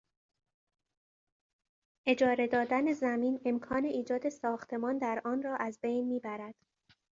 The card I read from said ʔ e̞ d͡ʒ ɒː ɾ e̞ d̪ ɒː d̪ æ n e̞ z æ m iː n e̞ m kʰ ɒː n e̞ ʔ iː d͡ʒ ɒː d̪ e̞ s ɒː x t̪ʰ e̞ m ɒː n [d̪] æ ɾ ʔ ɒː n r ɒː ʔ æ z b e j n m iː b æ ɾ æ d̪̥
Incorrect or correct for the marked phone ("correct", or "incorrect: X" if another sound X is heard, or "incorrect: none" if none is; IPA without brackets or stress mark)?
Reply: correct